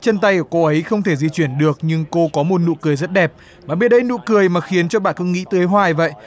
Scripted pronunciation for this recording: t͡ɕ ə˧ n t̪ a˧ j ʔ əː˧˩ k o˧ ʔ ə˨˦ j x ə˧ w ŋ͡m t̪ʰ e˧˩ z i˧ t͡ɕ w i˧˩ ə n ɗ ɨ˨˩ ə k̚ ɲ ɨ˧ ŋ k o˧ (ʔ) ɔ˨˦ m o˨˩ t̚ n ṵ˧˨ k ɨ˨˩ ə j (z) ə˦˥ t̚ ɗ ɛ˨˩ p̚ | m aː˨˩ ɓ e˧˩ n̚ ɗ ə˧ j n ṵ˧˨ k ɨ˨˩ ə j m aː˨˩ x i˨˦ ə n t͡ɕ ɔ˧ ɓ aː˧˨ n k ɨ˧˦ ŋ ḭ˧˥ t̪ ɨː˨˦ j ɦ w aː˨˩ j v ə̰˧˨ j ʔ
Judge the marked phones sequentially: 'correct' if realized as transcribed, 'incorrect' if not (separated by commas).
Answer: incorrect, correct